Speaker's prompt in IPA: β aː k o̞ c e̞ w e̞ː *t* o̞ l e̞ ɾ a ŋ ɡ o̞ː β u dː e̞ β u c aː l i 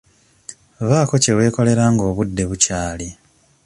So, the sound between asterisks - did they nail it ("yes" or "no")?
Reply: no